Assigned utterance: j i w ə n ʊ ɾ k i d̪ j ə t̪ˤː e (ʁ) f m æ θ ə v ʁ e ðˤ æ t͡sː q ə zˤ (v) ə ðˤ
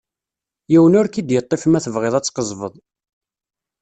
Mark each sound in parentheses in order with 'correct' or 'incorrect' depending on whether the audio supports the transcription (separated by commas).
incorrect, correct